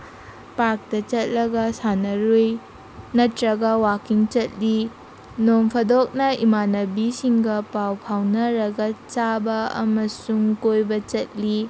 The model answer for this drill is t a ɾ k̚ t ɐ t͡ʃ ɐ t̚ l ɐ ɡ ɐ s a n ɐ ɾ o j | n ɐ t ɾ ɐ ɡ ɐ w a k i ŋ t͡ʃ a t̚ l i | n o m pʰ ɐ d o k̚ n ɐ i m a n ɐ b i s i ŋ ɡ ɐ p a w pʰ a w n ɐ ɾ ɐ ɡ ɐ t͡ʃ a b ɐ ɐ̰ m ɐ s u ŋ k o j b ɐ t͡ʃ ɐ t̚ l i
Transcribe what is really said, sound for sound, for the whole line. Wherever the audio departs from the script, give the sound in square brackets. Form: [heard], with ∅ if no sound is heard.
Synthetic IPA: [p] a ɾ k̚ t ɐ t͡ʃ ɐ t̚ l ɐ ɡ ɐ s a n ɐ ɾ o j | n ɐ t ɾ ɐ ɡ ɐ w a k i ŋ t͡ʃ [ɐ] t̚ l i | n o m pʰ ɐ d o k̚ n ɐ i m a n ɐ b i s i ŋ ɡ ɐ p a w pʰ a w n ɐ ɾ ɐ ɡ ɐ t͡ʃ a b ɐ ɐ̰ m ɐ s u ŋ k o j b ɐ t͡ʃ ɐ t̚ l i